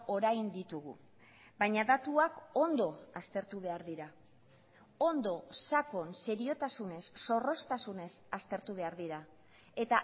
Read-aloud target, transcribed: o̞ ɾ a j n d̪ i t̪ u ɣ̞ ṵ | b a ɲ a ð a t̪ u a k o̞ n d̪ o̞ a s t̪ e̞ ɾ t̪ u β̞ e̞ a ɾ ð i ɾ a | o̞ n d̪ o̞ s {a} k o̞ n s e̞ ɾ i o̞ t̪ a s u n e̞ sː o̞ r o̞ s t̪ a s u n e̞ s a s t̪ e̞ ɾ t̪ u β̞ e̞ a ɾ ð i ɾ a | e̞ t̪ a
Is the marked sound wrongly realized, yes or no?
no